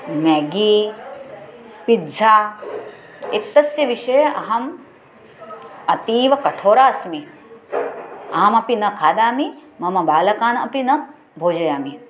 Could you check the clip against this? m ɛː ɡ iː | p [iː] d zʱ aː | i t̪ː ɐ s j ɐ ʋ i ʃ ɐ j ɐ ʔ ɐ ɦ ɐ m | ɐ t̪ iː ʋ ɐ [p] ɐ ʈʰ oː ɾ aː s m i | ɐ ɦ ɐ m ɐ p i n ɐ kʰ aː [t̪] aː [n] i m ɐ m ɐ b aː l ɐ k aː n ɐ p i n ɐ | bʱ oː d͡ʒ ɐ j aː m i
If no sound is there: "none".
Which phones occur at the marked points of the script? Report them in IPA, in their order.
i, k, d̪, m

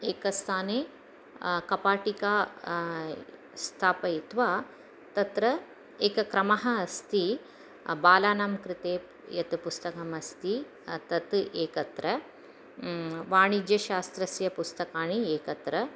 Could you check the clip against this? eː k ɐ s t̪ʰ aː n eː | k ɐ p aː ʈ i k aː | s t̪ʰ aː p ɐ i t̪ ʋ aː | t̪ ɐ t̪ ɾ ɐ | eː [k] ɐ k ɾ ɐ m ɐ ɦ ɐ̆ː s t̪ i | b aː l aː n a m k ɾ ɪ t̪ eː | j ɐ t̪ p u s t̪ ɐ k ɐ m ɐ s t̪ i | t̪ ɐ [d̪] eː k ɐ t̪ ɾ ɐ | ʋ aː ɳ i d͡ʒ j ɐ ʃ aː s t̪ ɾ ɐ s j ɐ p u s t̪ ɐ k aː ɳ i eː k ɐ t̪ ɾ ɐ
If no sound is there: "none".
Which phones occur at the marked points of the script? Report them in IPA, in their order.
k, t̪

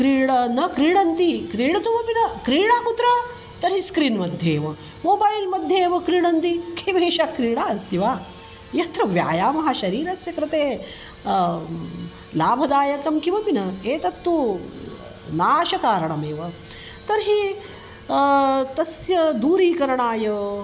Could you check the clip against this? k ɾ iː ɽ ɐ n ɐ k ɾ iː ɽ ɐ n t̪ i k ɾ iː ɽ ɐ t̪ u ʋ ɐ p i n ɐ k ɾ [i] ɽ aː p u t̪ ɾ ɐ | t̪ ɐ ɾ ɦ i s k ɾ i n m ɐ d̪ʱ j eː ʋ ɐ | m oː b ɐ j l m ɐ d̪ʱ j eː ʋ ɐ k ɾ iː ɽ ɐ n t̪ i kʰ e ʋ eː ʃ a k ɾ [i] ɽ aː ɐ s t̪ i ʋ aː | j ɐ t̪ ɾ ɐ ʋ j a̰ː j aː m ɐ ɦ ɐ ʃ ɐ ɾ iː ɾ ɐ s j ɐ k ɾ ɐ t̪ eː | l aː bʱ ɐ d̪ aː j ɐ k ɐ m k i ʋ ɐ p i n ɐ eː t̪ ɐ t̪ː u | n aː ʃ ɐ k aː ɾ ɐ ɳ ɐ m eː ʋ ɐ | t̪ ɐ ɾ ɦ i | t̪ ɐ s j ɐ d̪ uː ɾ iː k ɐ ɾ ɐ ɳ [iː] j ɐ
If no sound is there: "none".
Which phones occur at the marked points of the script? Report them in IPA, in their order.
iː, iː, aː

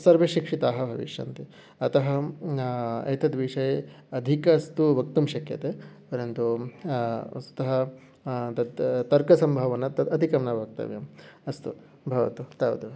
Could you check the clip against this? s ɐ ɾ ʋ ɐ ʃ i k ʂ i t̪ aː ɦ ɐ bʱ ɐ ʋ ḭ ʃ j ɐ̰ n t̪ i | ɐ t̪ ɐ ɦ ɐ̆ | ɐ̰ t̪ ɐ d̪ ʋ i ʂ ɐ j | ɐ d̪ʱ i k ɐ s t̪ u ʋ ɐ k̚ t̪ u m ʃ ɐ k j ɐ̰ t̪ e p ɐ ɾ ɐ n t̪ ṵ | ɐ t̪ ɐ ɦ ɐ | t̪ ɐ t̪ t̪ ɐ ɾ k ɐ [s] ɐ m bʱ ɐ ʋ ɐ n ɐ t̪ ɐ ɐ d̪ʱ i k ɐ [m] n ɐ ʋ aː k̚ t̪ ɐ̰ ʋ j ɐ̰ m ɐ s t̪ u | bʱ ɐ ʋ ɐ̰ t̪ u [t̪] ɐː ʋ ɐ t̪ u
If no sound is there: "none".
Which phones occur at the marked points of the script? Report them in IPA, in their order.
s, m, t̪

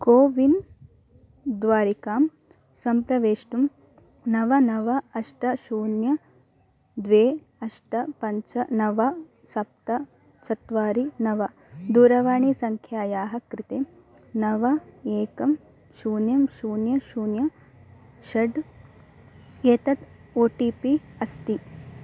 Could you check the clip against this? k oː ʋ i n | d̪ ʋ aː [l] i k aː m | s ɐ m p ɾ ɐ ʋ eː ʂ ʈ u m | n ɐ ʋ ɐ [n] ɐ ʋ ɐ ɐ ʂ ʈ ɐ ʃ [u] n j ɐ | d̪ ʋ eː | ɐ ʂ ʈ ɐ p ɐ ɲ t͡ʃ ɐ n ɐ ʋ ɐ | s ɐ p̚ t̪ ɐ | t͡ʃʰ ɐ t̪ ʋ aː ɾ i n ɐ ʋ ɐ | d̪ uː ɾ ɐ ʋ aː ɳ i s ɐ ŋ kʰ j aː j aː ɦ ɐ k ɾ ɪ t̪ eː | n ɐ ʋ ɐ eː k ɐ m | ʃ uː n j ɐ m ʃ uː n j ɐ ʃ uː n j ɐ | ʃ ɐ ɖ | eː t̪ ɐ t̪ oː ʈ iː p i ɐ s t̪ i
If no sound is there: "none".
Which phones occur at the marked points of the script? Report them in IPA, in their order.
ɾ, n, uː

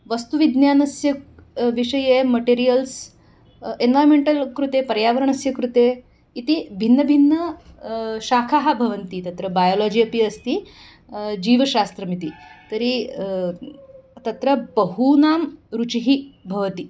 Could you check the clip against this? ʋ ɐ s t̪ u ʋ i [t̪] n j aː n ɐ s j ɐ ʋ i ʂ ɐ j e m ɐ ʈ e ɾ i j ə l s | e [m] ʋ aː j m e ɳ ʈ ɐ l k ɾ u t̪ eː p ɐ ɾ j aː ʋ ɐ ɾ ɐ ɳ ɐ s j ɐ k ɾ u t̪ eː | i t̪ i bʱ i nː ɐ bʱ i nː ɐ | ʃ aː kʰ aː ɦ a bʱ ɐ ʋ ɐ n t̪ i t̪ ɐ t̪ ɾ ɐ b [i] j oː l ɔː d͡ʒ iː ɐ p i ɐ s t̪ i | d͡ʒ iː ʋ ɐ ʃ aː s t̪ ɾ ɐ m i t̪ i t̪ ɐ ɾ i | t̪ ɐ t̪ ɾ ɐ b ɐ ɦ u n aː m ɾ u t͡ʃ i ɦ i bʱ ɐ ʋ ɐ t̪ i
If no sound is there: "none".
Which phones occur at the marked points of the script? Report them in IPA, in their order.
d̪, n, a

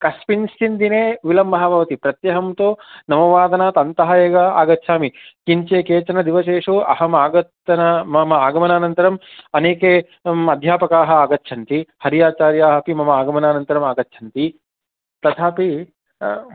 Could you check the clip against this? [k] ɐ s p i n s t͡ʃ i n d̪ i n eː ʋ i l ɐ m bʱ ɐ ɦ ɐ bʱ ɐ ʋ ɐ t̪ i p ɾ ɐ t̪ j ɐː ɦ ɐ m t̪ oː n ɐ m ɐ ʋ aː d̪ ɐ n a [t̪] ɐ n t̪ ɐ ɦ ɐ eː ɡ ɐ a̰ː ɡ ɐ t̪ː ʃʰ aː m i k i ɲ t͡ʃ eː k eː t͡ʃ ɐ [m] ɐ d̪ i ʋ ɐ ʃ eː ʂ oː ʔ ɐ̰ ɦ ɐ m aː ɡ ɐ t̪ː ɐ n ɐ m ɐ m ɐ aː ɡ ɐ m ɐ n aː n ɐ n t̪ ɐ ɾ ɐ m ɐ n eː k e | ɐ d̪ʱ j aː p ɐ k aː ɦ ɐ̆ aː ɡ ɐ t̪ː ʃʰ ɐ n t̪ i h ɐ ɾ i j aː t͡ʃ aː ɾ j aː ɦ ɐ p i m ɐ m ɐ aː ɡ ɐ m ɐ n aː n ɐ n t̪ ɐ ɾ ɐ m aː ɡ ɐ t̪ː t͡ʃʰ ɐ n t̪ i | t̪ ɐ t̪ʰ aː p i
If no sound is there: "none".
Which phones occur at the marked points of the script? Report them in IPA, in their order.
k, t̪, n

